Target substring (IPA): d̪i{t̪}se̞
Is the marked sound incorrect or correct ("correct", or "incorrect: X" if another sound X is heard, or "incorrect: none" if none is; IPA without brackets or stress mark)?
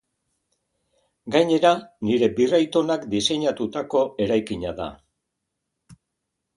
incorrect: none